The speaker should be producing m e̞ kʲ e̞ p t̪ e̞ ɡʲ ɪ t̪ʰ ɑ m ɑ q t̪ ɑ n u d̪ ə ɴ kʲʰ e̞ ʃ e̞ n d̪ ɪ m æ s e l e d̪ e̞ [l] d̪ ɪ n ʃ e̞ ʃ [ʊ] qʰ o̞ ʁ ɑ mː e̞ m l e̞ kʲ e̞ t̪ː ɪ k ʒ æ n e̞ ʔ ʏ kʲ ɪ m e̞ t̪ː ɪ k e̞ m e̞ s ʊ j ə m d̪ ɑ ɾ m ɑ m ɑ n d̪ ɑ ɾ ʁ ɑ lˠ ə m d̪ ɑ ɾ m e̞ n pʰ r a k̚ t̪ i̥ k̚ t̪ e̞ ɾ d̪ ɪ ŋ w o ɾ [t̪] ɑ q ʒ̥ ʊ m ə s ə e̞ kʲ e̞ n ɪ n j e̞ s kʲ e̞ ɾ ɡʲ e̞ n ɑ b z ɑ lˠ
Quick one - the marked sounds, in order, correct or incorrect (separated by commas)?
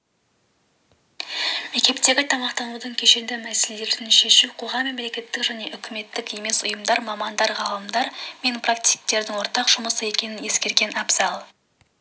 incorrect, incorrect, correct